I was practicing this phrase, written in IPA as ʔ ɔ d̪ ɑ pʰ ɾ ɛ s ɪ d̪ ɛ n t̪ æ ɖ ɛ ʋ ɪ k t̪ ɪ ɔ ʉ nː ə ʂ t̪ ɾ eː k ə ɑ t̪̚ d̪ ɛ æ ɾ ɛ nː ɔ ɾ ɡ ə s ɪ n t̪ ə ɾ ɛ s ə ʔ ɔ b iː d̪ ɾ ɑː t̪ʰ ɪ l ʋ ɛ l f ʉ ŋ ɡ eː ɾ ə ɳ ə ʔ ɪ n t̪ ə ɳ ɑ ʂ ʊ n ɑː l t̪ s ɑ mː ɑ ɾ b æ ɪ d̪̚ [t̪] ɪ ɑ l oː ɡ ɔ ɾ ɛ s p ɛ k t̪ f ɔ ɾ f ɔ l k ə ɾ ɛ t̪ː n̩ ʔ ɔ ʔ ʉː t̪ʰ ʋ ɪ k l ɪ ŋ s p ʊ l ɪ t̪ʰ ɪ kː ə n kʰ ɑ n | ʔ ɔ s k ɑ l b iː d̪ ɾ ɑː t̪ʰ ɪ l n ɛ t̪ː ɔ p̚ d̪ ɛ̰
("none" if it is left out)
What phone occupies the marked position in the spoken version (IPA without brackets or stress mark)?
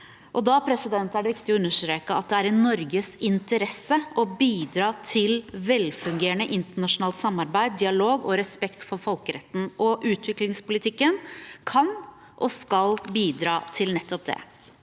d̪